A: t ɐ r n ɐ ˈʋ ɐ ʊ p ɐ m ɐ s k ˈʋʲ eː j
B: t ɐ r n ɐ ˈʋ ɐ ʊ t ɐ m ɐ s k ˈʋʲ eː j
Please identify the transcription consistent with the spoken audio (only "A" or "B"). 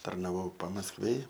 A